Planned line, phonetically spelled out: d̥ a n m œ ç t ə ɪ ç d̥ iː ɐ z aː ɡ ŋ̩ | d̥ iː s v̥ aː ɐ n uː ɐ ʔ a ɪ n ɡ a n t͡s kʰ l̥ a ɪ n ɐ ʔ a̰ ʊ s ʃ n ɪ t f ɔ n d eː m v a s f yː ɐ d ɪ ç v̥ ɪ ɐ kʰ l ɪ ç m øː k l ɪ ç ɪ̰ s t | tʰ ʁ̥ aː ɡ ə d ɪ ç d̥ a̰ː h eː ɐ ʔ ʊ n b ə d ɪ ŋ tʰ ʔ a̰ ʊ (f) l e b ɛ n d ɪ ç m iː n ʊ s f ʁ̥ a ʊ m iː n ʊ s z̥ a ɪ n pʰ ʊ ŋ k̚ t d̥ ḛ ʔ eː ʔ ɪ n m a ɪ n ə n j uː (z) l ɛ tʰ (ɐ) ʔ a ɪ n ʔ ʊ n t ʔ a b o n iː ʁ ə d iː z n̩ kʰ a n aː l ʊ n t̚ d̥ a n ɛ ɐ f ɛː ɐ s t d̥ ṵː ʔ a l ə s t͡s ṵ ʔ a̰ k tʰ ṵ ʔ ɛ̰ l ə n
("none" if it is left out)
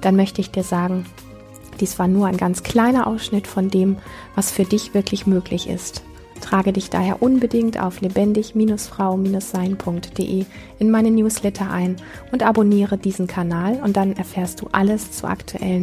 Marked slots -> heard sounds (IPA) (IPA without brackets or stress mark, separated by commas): f, s, ɐ